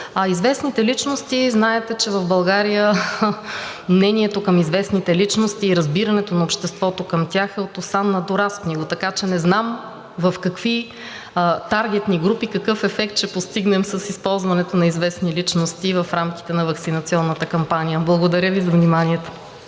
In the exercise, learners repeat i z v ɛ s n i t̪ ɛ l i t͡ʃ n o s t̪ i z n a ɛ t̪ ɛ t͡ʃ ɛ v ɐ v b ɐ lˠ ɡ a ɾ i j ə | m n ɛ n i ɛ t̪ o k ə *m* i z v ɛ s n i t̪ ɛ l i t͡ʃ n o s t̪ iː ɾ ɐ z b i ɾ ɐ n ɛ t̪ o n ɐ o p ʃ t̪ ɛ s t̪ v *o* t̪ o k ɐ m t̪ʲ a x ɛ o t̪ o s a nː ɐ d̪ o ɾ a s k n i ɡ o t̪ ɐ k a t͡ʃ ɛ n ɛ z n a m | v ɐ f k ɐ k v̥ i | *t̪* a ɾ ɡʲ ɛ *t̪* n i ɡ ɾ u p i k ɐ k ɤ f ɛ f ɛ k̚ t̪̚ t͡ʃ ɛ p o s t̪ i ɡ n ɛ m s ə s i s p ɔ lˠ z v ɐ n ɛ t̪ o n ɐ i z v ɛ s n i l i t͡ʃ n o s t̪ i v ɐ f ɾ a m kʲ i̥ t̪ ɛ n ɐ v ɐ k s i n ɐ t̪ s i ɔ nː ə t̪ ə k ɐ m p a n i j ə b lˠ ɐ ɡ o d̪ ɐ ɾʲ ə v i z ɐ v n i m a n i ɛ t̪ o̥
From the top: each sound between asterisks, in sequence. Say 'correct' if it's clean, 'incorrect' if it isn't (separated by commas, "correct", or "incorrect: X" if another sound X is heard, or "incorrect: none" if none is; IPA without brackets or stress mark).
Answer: correct, incorrect: ɔ, correct, correct